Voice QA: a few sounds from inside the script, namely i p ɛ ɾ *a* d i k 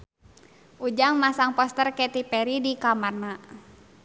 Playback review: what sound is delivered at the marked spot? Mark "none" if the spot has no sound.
i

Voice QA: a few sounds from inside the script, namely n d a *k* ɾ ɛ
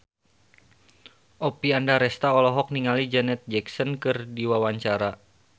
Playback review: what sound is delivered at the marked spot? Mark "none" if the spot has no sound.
none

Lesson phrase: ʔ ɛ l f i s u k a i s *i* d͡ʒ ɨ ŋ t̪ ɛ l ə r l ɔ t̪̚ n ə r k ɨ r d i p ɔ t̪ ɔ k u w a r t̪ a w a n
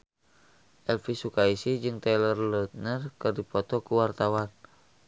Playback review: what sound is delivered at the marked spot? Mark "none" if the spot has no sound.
i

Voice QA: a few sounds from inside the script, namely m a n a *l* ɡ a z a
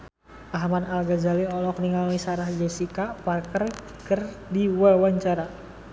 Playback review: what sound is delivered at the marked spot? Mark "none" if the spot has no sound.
l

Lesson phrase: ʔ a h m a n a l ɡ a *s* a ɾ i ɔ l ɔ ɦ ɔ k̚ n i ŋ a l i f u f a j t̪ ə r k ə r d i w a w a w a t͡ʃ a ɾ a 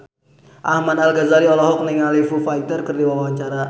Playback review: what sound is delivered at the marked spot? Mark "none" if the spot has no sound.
z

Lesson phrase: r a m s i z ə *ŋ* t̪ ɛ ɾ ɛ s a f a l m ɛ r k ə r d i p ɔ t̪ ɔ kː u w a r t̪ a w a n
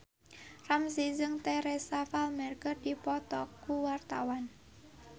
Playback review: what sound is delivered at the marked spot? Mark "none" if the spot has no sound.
ŋ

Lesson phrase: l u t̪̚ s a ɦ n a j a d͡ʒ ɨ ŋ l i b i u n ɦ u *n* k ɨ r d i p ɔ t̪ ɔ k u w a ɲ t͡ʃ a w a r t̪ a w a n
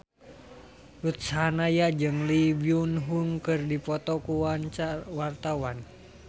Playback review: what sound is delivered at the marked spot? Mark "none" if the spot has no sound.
ŋ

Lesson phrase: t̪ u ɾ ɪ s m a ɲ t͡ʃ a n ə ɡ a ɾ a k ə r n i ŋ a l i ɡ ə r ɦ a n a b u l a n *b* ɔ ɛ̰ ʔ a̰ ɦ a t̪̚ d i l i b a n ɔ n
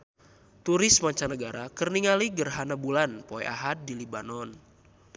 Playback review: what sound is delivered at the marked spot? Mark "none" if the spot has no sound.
p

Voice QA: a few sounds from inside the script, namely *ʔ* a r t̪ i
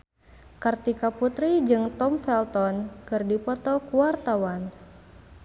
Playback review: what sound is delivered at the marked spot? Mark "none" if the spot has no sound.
k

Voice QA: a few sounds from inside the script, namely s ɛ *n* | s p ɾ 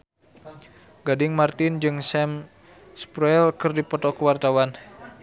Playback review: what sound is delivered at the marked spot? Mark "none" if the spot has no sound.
m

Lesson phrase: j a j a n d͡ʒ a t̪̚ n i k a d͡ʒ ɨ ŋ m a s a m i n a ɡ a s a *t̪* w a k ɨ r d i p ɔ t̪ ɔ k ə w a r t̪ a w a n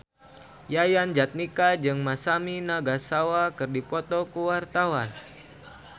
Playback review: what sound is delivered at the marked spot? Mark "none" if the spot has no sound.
none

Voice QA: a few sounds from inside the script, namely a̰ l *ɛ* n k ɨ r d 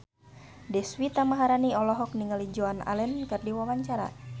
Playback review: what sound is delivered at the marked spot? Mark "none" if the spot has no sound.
ɛ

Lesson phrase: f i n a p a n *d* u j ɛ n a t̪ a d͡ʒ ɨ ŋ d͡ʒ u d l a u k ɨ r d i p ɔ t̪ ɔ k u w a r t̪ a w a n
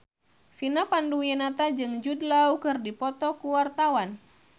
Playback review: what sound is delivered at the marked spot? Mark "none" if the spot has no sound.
d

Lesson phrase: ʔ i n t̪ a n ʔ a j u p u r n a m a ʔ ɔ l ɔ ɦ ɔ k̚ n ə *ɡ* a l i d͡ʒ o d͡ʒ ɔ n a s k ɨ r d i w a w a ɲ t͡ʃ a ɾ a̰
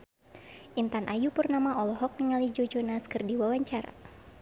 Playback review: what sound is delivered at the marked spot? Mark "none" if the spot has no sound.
ŋ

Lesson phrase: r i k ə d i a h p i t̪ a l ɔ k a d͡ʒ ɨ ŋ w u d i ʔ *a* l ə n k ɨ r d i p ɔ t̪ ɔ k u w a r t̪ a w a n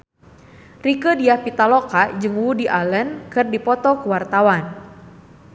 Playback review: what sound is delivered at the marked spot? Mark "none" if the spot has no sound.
a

